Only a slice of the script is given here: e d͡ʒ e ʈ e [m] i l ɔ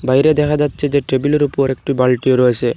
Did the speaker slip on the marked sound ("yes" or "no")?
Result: yes